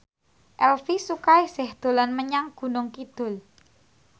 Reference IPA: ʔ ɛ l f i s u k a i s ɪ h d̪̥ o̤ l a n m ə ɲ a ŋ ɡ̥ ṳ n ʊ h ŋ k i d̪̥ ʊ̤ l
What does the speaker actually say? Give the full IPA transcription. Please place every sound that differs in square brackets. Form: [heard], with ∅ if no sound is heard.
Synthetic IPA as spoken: ʔ ɛ l f i s u k a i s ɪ h d̪̥ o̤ l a n m ə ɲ a ŋ ɡ̥ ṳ n ʊ [∅] ŋ k i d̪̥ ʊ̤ l